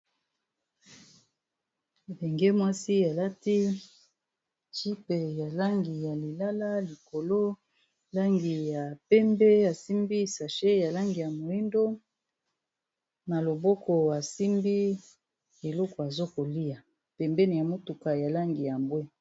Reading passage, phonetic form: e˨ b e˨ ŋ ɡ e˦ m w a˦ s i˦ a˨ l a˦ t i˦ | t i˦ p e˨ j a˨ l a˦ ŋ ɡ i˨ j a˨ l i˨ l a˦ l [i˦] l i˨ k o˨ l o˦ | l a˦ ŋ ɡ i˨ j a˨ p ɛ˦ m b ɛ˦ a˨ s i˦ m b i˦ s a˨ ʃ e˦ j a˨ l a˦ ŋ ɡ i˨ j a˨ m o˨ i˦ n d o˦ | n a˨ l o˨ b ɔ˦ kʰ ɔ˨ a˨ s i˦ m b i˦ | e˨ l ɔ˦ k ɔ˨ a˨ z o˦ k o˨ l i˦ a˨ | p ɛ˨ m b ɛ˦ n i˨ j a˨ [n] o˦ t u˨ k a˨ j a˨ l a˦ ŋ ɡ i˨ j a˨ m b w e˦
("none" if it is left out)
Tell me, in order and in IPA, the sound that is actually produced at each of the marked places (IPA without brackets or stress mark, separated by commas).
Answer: a˦, m